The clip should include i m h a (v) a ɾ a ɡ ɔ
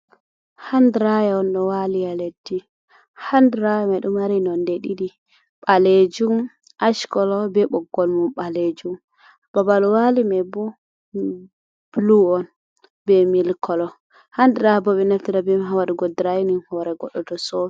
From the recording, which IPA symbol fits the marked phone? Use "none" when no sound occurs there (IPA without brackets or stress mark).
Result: w